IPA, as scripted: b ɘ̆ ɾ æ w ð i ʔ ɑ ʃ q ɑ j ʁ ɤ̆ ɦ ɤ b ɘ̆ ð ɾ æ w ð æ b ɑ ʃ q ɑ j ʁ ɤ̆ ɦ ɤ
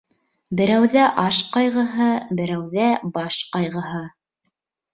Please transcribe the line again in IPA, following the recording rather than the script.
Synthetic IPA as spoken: b ɘ̆ ɾ æ w ð æ ʔ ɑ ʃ q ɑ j ʁ ɤ̆ ɦ ɤ b ɘ̆ ɾ æ w ð æ b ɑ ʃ q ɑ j ʁ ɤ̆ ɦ ɤ